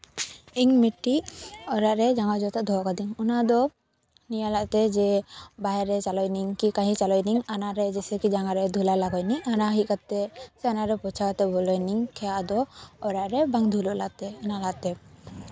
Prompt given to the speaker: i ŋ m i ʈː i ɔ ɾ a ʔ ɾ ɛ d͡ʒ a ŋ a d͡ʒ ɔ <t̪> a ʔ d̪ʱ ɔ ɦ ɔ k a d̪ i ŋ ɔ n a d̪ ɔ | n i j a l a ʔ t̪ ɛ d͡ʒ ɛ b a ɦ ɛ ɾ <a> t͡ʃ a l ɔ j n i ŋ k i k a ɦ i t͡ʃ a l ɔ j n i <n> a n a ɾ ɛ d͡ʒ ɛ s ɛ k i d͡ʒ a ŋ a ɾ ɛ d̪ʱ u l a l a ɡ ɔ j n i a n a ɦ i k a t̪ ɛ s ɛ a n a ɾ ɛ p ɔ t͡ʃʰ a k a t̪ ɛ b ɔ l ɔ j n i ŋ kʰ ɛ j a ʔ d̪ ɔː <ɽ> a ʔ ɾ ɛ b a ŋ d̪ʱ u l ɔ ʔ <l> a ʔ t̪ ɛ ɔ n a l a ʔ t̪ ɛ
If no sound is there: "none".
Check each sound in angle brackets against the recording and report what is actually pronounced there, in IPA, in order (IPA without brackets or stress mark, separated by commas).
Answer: t̪, ɛ, ŋ, ɾ, l